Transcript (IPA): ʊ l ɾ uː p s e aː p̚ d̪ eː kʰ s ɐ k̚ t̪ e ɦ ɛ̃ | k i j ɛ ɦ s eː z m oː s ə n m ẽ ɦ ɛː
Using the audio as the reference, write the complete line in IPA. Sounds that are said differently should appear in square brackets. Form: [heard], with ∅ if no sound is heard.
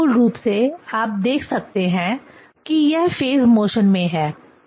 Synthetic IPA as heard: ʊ l ɾ uː p s e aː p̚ d̪ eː kʰ s ɐ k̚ t̪ e ɦ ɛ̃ | k i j ɛ ɦ [f] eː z m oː [ʃ] ə n m ẽ ɦ ɛː